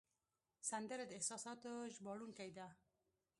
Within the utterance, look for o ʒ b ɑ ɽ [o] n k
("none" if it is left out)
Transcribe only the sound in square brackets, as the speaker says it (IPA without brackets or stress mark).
u